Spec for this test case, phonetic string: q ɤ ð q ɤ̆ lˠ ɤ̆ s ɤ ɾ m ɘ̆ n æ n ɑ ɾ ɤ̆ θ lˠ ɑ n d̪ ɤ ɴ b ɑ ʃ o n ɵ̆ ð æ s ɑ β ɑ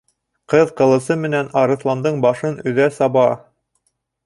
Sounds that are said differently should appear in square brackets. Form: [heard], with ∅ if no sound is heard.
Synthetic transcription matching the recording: q ɤ ð q ɤ̆ lˠ ɤ̆ s ɤ [∅] m ɘ̆ n æ n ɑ ɾ ɤ̆ θ lˠ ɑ n d̪ ɤ ɴ b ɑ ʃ [ɤ] n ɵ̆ ð æ s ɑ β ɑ